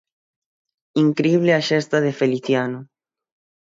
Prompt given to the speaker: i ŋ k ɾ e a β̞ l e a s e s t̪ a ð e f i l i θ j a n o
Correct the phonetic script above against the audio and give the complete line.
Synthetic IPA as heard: i ŋ k ɾ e i β̞ l e a ʃ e s t̪ a ð e f e l i θ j a n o